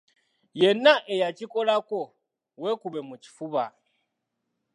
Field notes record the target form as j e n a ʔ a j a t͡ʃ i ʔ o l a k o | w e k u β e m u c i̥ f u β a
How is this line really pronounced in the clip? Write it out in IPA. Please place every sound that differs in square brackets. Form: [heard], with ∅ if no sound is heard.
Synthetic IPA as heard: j e n a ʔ [e] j a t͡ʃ i [k] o l a k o | w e k u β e m u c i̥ f u β a